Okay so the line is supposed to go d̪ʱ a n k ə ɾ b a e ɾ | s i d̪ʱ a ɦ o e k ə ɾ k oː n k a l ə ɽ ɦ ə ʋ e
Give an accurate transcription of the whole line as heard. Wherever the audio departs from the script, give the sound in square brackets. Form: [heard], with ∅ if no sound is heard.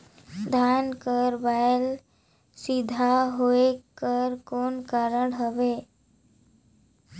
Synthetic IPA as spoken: d̪ʱ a n k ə ɾ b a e [l] | s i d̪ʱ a ɦ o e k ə ɾ k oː n k a [ɾ] ə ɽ ɦ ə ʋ e

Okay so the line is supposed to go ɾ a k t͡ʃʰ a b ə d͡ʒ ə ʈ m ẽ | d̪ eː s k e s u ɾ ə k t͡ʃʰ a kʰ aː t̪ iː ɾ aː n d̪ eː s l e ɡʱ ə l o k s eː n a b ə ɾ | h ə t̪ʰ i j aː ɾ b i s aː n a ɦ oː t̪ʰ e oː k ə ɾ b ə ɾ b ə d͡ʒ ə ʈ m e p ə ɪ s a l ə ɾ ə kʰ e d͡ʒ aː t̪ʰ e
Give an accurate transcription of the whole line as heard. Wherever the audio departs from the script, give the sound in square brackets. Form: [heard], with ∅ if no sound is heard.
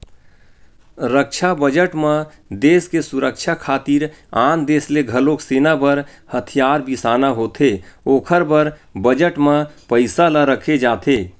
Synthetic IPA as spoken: ɾ [ə] k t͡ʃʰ a b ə d͡ʒ ə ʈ m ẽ | d̪ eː s k e s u ɾ ə k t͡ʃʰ a kʰ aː t̪ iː ɾ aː n d̪ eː s l e ɡʱ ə l o k s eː n a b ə ɾ | h ə t̪ʰ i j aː ɾ b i s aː n a ɦ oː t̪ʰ e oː [kʰ] ə ɾ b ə ɾ b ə d͡ʒ ə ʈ m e p ə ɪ s a l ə ɾ ə kʰ e d͡ʒ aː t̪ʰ e

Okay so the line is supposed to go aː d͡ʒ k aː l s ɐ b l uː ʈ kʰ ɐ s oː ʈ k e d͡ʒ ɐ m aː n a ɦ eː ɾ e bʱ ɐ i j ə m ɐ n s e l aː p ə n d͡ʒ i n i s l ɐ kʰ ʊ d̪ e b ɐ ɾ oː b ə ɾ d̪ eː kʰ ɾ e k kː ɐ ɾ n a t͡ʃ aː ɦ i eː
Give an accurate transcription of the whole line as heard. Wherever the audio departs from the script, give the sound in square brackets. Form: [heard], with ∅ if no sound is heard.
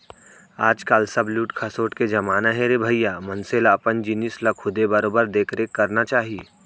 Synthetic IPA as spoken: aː d͡ʒ k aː l s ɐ b l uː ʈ kʰ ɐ s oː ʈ k e d͡ʒ ɐ m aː n a ɦ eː ɾ e bʱ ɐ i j [a] m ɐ n s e l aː p ə n d͡ʒ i n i s l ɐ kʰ ʊ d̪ e b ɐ ɾ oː b ə ɾ d̪ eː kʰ ɾ e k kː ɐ ɾ n a t͡ʃ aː ɦ i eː

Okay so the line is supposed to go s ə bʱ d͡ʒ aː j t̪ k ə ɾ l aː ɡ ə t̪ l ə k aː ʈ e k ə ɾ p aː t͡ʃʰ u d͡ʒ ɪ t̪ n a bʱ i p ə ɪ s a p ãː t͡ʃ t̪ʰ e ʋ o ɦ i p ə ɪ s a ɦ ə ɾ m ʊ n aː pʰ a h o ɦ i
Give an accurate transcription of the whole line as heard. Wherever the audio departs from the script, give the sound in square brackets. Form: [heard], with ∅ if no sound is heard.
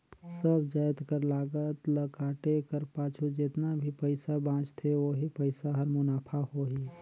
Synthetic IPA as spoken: s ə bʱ d͡ʒ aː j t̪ k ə ɾ l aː ɡ ə t̪ l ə k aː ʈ e k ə ɾ p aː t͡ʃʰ u d͡ʒ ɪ t̪ n a bʱ i p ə ɪ s a [b] ãː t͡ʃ t̪ʰ e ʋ o ɦ i p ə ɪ s a ɦ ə ɾ m ʊ n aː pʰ a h o ɦ i

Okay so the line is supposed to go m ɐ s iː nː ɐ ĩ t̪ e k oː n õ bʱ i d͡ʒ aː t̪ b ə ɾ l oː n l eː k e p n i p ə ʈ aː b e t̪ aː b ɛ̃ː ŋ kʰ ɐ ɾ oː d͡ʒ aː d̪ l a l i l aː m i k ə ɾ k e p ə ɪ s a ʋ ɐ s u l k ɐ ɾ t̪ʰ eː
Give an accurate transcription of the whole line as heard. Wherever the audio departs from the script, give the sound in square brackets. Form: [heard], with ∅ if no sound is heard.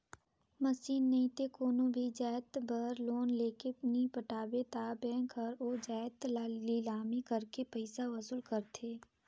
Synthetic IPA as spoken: m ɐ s iː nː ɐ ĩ t̪ e k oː n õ bʱ i d͡ʒ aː t̪ b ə ɾ l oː n l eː k e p n i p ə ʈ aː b e t̪ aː b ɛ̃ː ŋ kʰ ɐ ɾ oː d͡ʒ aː [t̪] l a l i l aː m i k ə ɾ k e p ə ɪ s a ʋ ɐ s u l k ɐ ɾ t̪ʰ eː

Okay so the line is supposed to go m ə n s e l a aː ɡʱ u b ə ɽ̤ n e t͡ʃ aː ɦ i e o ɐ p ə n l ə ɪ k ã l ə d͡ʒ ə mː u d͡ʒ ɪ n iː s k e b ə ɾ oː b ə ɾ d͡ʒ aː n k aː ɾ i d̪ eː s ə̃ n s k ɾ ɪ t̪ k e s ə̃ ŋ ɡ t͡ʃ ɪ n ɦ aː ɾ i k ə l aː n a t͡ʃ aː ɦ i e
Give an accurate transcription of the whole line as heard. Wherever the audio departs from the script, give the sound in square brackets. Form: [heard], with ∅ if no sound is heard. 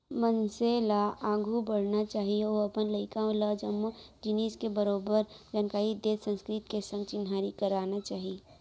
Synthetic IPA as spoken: m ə n s e l a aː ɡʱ u b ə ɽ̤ n [a] t͡ʃ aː ɦ i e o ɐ p ə n l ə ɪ k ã l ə d͡ʒ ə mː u d͡ʒ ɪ n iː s k e b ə ɾ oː b ə ɾ d͡ʒ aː n k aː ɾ i d̪ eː s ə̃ n s k ɾ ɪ t̪ k e s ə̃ ŋ ɡ t͡ʃ ɪ n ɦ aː ɾ i k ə [ɾ] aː n a t͡ʃ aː ɦ i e

